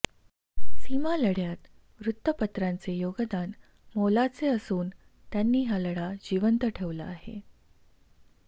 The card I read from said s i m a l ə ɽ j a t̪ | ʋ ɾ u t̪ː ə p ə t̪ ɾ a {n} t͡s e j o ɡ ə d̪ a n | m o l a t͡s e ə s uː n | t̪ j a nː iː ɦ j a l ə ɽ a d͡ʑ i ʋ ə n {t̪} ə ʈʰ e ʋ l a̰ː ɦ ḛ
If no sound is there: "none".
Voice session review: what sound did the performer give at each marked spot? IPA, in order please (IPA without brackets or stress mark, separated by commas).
n, t̪